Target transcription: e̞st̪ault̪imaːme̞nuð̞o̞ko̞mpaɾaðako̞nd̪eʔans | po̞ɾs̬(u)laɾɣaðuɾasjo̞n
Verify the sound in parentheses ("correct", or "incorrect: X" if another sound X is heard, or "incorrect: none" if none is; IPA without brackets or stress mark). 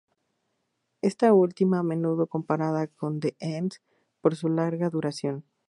correct